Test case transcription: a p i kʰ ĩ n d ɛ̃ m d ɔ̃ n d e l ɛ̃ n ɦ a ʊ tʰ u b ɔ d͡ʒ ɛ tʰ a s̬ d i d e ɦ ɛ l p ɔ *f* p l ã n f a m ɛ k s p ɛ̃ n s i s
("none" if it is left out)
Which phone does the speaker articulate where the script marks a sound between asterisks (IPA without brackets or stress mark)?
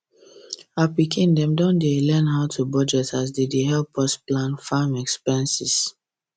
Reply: s